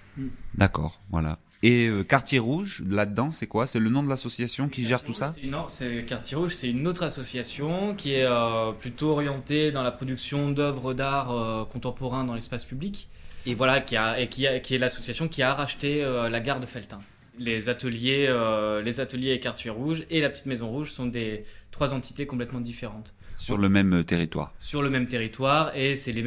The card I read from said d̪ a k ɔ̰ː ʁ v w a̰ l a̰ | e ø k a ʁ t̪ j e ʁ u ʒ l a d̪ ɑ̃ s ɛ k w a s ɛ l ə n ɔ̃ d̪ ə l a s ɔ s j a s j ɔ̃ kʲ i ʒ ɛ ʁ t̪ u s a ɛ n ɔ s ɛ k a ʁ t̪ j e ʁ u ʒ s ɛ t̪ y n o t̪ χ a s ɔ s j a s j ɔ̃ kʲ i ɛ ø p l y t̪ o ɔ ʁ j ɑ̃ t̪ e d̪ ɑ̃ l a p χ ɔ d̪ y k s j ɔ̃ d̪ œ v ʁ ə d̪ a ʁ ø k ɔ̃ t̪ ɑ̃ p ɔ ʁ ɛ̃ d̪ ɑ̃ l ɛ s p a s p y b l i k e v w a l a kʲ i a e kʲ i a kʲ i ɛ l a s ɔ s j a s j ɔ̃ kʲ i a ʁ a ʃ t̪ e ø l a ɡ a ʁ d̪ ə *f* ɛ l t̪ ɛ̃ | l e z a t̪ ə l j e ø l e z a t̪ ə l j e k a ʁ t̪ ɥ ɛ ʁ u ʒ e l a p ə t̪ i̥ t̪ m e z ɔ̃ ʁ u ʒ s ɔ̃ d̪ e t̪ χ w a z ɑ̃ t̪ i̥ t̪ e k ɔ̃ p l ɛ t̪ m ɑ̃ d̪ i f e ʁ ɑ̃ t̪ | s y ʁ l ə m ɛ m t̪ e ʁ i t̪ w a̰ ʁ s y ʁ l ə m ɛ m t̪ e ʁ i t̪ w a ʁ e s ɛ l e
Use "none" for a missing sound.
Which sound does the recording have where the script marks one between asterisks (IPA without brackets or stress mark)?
f